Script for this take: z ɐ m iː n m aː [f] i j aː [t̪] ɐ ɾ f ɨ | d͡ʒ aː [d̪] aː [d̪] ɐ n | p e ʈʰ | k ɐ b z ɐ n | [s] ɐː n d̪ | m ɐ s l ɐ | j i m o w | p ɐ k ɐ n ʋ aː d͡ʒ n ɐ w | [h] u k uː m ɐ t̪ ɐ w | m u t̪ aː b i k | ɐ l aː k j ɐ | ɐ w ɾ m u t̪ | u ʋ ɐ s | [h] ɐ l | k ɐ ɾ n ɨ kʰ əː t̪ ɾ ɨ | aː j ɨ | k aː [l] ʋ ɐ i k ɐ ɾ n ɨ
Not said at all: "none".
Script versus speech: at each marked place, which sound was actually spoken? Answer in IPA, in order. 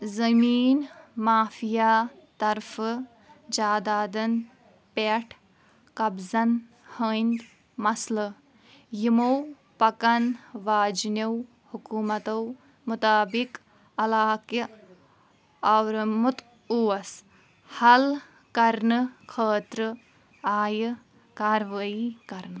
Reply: f, t̪, d̪, d̪, h, h, h, ɾ

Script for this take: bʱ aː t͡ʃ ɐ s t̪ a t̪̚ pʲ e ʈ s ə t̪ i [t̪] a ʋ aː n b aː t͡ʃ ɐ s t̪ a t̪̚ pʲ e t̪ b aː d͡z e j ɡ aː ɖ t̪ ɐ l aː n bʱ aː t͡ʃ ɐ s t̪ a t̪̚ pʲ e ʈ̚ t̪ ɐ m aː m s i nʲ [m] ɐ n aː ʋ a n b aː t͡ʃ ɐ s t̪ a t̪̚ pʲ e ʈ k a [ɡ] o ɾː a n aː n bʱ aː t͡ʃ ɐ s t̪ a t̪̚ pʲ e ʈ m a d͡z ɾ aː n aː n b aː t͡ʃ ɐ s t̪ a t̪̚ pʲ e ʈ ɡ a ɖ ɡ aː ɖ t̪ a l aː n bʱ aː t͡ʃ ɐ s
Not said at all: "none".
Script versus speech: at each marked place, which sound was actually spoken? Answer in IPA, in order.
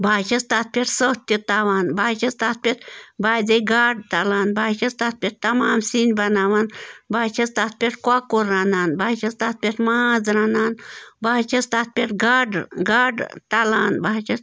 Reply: t̪, b, k

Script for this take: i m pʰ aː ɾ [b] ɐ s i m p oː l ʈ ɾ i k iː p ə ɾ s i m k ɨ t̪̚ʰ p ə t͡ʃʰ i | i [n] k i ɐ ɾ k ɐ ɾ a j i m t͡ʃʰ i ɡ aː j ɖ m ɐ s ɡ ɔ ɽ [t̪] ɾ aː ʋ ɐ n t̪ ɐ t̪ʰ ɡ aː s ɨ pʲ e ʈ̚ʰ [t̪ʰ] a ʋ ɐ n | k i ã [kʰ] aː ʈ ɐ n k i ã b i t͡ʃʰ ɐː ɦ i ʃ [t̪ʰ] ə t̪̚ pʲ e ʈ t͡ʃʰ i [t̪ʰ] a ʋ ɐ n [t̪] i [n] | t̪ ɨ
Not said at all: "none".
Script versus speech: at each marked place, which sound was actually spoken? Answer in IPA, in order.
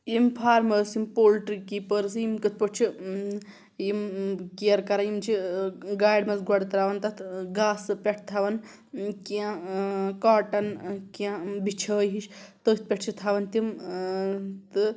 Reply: m, m, t̪, t̪ʰ, k, t̪, t̪ʰ, t̪, m

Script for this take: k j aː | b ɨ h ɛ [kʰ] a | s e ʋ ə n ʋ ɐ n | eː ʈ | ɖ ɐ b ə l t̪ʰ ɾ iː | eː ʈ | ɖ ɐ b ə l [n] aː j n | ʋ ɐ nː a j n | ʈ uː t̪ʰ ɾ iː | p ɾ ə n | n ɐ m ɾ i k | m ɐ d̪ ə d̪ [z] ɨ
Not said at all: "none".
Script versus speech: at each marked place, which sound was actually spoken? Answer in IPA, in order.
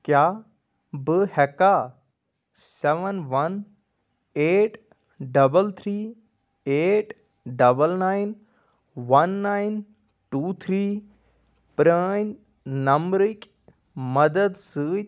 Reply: k, n, s

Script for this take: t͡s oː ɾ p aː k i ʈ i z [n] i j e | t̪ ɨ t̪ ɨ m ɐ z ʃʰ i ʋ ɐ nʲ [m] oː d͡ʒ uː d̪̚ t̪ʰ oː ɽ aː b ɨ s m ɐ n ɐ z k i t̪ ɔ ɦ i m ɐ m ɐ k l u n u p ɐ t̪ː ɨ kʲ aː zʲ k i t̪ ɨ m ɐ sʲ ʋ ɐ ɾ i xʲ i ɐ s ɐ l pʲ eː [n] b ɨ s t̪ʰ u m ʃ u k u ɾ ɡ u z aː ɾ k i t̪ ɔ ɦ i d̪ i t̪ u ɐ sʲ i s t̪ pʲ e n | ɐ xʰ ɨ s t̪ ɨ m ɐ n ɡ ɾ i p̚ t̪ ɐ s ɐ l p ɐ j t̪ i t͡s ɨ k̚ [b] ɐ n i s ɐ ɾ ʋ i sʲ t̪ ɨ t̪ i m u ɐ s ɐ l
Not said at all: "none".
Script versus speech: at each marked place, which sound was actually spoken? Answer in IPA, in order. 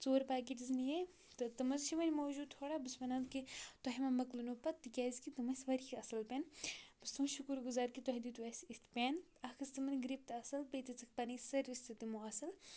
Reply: n, m, n, p

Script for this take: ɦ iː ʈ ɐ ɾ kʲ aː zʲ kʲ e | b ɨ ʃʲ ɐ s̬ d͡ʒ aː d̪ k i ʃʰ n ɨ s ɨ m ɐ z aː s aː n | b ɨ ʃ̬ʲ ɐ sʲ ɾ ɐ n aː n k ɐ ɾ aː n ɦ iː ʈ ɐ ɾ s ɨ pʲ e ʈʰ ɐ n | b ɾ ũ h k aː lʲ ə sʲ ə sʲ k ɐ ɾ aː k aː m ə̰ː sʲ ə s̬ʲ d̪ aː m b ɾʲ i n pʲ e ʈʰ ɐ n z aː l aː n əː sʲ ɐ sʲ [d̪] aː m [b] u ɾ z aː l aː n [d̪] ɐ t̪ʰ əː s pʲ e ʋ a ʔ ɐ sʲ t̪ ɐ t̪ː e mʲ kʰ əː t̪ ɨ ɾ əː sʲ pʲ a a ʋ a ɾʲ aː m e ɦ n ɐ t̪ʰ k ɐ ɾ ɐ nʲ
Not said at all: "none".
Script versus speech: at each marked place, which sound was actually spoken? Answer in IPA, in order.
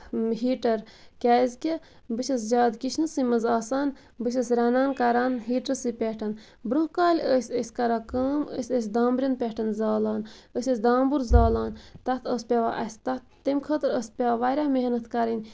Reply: d̪, b, t̪

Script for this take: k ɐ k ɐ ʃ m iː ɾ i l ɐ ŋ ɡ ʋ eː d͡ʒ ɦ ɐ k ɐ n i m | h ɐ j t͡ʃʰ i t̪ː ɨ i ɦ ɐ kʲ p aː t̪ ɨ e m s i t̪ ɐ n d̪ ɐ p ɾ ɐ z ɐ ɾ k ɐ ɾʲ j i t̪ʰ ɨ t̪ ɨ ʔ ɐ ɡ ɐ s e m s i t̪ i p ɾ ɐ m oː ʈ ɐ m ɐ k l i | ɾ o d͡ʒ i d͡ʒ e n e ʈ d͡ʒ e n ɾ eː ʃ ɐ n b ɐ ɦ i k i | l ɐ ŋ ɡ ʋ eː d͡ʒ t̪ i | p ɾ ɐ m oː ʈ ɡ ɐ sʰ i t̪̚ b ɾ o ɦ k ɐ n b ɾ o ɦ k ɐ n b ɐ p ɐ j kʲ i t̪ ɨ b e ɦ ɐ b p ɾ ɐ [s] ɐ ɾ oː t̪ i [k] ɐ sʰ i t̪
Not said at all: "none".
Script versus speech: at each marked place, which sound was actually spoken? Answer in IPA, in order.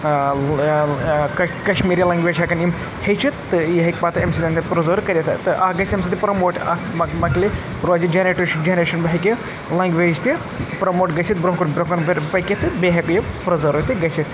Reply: z, ɡ

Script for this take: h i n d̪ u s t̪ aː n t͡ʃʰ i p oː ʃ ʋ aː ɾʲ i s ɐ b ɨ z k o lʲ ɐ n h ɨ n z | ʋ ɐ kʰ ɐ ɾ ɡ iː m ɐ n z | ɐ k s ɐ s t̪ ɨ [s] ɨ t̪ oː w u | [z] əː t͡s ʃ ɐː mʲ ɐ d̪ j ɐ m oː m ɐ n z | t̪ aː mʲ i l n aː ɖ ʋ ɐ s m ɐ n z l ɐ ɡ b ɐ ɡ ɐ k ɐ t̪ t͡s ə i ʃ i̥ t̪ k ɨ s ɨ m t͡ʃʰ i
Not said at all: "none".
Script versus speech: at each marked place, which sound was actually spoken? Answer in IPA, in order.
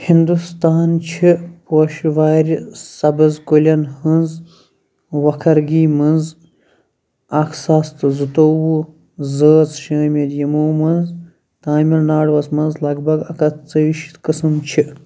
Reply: z, z

